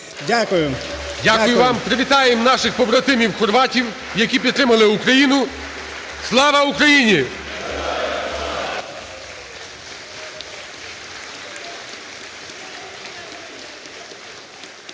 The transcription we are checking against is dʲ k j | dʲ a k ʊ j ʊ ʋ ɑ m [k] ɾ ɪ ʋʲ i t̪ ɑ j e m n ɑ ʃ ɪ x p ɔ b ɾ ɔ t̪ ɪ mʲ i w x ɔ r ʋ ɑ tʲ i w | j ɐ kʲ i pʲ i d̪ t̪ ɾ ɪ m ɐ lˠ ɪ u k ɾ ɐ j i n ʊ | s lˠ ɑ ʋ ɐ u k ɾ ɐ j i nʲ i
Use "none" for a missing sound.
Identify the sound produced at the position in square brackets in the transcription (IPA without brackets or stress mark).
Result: p